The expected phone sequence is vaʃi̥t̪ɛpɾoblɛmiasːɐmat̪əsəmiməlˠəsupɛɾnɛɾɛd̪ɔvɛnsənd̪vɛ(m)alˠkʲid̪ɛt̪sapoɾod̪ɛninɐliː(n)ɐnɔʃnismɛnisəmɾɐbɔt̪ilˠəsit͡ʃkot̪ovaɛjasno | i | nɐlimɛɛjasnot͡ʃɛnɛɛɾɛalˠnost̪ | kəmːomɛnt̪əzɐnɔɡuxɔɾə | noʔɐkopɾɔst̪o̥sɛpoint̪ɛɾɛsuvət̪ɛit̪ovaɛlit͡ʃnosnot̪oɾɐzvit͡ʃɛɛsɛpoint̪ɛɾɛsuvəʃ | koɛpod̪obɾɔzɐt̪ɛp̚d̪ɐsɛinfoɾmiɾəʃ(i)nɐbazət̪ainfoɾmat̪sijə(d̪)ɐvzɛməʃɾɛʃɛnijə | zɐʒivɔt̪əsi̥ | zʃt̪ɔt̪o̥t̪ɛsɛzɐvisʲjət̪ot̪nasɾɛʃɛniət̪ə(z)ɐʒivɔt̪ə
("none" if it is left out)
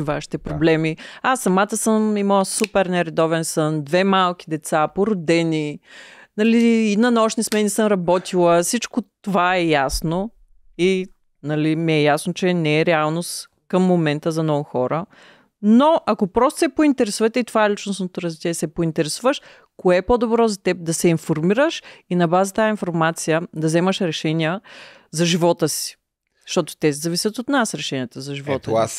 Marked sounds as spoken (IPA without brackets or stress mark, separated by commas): m, n, i, d̪, z